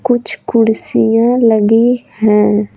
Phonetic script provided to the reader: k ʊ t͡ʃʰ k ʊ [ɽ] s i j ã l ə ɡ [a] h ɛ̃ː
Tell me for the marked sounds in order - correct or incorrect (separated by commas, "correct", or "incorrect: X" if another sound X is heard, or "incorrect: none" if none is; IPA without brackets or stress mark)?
correct, incorrect: i